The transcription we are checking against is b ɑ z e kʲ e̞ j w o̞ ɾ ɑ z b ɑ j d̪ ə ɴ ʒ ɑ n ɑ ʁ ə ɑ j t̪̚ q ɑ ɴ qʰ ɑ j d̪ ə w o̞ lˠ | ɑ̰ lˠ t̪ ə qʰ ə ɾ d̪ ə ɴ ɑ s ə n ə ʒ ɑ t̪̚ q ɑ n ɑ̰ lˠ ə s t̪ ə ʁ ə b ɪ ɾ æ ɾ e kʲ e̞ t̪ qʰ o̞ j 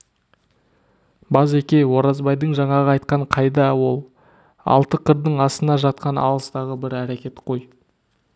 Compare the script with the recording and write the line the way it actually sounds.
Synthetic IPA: b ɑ z e kʲ e̞ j w o̞ ɾ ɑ z b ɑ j d̪ ə ɴ ʒ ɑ ɴ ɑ ʁ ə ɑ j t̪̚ q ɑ ɴ qʰ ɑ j d̪ ɑ w o̞ lˠ | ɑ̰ lˠ t̪ ə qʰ ə ɾ d̪ ə ɴ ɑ s ə n ɑ ʒ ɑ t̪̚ q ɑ n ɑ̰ lˠ ə s t̪ ɑ ʁ ə b ɪ ɾ æ ɾ e kʲ e̞ t̪ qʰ o̞ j